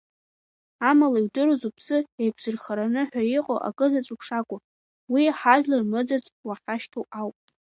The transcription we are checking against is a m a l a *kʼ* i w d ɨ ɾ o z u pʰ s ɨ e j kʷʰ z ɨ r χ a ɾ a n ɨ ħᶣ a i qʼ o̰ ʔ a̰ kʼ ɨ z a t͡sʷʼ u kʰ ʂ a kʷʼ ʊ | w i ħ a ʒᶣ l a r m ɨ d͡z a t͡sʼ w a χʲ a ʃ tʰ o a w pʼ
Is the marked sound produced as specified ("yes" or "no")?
no